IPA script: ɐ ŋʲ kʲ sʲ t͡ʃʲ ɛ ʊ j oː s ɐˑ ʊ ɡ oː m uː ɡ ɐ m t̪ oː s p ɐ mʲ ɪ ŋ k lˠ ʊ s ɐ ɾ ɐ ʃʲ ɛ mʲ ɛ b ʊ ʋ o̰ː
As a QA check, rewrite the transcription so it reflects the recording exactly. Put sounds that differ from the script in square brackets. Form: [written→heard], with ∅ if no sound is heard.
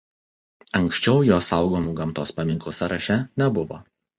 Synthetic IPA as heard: ɐ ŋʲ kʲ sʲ t͡ʃʲ ɛ ʊ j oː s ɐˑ ʊ ɡ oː m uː ɡ ɐ m t̪ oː s p ɐ mʲ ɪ ŋ k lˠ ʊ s ɐ ɾ ɐ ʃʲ ɛ [mʲ→nʲ] ɛ b ʊ ʋ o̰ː